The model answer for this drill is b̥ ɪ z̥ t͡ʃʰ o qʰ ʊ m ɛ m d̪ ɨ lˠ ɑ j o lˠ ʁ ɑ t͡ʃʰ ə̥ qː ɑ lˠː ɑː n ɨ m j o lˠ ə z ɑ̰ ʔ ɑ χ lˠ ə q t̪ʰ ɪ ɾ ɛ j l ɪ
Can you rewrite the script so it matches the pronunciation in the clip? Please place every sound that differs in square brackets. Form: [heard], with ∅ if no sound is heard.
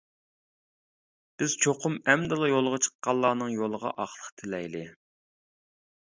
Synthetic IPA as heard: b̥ ɪ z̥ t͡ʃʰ o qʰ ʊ m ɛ m d̪ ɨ lˠ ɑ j o lˠ ʁ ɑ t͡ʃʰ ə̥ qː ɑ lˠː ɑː n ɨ [ŋ] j o lˠ ə [ʁ] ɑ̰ ʔ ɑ χ lˠ ə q t̪ʰ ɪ [l] ɛ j l ɪ